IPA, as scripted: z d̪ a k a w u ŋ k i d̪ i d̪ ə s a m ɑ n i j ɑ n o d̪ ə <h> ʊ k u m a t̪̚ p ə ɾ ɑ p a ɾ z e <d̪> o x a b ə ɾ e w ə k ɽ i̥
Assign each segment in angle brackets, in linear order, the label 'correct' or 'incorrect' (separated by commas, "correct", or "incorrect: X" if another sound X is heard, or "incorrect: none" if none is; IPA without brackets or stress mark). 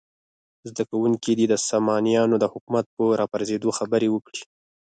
correct, correct